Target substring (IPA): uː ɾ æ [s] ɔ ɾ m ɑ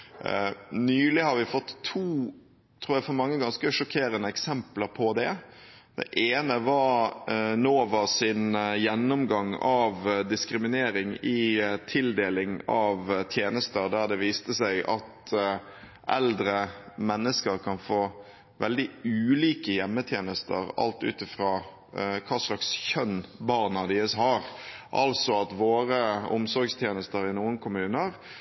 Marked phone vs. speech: incorrect: f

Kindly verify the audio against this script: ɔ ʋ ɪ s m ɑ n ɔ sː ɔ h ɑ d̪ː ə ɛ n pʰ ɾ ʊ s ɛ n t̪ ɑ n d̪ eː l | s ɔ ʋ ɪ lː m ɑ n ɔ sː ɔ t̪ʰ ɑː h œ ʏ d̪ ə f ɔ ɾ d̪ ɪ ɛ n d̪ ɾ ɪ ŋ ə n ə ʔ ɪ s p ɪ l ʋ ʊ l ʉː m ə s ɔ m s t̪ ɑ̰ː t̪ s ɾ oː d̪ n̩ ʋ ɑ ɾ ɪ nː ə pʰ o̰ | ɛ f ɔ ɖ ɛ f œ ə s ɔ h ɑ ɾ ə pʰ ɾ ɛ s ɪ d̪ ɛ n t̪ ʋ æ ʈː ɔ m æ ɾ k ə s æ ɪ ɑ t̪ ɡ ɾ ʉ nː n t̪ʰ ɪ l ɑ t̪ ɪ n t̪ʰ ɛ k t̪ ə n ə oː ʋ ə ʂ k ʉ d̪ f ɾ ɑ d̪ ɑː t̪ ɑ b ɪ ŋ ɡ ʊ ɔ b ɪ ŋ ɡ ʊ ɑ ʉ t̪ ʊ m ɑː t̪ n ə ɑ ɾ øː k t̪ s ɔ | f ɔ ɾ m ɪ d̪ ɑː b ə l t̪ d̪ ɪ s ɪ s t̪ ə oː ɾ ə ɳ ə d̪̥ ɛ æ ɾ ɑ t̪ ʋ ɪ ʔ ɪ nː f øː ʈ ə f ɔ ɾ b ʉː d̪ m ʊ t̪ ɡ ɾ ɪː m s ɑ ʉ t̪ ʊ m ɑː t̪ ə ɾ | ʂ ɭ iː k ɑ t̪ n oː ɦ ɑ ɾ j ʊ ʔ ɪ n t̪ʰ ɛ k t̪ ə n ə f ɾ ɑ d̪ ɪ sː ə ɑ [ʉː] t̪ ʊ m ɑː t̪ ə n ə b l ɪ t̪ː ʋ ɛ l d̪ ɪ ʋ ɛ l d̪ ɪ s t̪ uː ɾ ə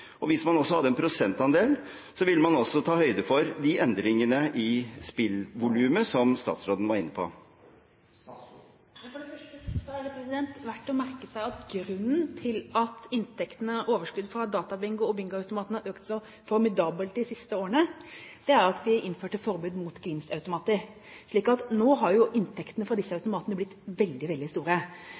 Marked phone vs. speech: incorrect: ʉ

